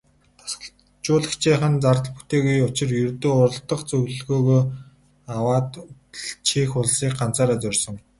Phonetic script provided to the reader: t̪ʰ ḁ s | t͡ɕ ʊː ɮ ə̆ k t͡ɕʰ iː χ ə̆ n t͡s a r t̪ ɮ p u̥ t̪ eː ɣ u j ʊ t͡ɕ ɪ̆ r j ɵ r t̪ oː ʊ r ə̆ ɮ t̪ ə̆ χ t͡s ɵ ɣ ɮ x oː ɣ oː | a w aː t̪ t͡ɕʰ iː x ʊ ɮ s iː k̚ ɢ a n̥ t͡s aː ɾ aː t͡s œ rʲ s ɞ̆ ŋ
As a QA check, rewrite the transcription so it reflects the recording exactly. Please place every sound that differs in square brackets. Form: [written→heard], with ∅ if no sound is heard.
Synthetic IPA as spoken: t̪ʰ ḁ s | t͡ɕ ʊː ɮ ə̆ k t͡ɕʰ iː χ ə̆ n t͡s a r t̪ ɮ p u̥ t̪ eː ɣ u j ʊ t͡ɕ ɪ̆ r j ɵ r t̪ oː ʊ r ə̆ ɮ t̪ ə̆ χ t͡s ɵ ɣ ɮ [x→ɣ] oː ɣ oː | a w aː t̪ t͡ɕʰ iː x ʊ ɮ s iː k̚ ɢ a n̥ t͡s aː ɾ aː t͡s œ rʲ s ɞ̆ ŋ